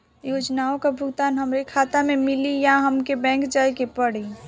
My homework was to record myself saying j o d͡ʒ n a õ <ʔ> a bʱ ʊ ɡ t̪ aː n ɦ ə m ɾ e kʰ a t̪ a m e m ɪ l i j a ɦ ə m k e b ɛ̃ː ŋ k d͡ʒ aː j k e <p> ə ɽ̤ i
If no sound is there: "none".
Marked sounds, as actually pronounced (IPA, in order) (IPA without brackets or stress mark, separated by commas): k, p